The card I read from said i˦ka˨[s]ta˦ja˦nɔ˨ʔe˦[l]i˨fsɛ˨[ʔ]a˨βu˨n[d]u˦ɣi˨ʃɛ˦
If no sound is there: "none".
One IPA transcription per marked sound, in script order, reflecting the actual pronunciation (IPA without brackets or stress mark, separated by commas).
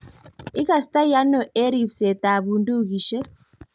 s, ɾ, t, d